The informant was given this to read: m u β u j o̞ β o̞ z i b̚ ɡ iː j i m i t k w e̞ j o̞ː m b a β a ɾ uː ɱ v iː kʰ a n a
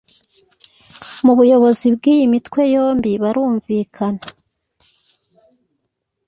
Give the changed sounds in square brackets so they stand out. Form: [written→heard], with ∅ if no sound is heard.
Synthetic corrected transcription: m u β u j o̞ β o̞ z i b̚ ɡ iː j i m i t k w e̞ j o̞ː m b [a→i] β a ɾ uː ɱ v iː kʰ a n a